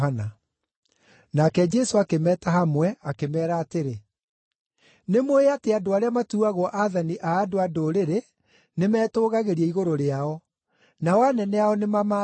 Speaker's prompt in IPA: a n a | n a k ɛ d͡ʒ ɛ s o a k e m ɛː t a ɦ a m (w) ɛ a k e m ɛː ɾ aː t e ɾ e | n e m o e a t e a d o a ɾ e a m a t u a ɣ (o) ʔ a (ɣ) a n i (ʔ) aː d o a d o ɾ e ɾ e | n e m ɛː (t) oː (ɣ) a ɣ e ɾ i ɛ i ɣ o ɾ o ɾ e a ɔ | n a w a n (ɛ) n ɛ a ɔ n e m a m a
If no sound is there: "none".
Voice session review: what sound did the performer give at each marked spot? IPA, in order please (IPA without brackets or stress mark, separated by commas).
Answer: w, ɔ, ð, ʔ, t, ɣ, ɛ